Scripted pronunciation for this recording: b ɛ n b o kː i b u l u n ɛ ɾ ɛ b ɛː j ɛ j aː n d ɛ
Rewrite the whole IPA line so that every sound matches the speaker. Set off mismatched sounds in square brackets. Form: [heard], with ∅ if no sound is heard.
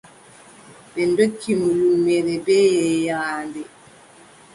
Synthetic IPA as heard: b ɛ n [d] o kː i [m] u l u [m] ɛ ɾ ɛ b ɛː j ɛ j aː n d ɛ